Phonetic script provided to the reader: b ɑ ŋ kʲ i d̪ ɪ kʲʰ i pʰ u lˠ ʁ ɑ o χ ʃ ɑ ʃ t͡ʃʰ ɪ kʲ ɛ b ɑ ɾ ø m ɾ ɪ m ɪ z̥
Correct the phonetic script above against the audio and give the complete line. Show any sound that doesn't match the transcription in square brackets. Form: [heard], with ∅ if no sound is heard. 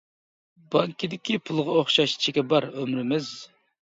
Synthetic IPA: b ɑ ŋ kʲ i d̪ ɪ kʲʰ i pʰ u lˠ ʁ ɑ o χ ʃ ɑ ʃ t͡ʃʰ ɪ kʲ ɛ b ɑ ɾ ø m ɾ ɪ m ɪ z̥